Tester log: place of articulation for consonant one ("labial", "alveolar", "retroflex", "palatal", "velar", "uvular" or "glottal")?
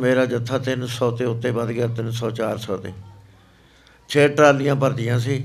labial